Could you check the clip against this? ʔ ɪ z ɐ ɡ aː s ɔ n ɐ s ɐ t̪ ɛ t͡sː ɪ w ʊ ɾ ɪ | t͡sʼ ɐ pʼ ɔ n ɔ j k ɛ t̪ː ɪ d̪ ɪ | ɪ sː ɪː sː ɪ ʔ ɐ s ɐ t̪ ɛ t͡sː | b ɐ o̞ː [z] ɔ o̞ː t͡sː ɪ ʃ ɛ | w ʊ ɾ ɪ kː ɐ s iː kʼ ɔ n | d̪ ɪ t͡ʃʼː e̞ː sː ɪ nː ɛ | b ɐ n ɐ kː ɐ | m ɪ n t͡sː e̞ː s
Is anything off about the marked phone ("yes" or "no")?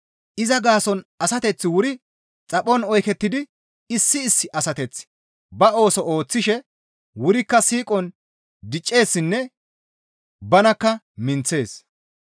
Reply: yes